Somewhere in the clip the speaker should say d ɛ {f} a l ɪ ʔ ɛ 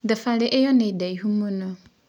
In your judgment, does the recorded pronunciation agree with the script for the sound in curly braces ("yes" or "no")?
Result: yes